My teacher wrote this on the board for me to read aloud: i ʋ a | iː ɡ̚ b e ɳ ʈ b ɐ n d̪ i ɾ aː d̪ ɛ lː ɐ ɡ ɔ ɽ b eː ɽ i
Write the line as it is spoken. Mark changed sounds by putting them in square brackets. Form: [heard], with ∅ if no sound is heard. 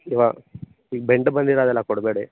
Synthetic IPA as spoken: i ʋ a | iː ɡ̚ b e ɳ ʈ b ɐ n d̪ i ɾ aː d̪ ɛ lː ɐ [k] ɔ ɽ b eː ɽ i